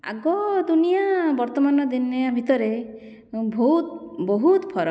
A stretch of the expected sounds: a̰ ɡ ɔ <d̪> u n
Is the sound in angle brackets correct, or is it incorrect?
correct